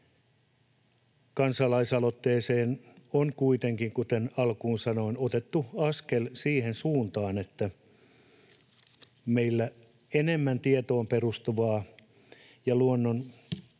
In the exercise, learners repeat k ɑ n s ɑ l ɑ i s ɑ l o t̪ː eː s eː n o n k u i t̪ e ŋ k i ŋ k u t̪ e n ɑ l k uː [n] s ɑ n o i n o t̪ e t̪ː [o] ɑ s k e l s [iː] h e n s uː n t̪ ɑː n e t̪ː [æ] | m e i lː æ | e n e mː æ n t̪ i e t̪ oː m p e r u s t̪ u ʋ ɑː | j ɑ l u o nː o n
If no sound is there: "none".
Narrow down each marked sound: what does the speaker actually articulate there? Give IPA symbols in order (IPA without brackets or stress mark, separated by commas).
n, u, iː, æ